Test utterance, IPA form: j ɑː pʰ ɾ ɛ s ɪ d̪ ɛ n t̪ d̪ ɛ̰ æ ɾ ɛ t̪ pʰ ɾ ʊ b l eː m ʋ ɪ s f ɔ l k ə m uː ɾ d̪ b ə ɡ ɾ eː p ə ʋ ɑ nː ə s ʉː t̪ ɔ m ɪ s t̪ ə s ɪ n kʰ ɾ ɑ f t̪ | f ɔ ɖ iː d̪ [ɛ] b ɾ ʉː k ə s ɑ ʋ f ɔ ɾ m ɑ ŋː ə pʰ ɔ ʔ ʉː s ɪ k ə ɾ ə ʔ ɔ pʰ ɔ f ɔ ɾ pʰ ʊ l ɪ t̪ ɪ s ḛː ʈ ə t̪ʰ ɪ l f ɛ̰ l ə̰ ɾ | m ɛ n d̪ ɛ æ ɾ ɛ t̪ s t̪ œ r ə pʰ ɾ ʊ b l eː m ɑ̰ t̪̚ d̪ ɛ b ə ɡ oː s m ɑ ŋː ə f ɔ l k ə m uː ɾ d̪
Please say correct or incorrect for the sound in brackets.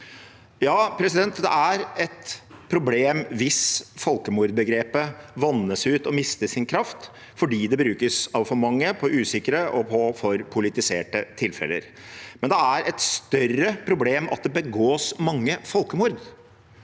correct